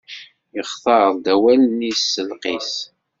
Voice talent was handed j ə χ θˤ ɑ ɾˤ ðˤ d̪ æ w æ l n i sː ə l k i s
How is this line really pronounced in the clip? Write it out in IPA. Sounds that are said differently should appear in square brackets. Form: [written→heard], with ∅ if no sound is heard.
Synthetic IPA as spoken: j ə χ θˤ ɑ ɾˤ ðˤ d̪ æ w æ l n i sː ə l [k→q] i s